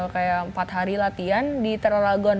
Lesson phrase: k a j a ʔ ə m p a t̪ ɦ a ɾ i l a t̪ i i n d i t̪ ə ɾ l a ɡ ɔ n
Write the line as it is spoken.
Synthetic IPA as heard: k a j a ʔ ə m p a t̪ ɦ a ɾ i l a t̪ i a n d i t̪ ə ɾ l a ɡ ɔ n